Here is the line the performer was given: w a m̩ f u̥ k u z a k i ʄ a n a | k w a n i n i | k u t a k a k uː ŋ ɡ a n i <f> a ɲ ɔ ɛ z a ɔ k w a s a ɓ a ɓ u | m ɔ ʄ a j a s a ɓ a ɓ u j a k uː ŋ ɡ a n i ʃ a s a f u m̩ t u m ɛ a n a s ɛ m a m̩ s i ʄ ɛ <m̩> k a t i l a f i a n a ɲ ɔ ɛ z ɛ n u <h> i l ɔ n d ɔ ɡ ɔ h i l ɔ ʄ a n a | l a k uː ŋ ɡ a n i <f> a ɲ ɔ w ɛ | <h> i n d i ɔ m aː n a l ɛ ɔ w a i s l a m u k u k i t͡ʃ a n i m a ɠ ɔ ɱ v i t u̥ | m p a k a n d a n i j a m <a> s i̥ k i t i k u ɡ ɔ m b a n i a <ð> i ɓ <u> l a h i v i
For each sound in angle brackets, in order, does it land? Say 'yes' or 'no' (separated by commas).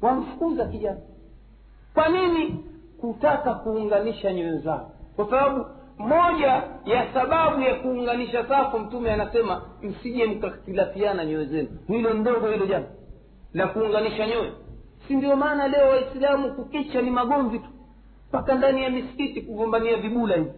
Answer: no, yes, yes, no, no, no, no, yes